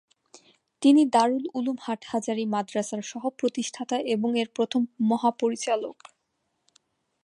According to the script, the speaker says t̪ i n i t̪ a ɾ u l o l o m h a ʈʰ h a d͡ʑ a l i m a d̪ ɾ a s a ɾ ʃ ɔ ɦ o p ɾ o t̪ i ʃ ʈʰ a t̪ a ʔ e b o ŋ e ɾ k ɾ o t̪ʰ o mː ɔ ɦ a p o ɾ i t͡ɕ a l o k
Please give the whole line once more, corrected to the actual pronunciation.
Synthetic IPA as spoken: t̪ i n i d̪ a ɾ u l u l u m h a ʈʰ h a d͡ʑ a ɾ i m a d̪ ɾ a s a ɾ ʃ ɔ ɦ o p ɾ o t̪ i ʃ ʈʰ a t̪ a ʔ e b o ŋ e ɾ p ɾ o t̪ʰ o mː ɔ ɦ a p o ɾ i t͡ɕ a l o k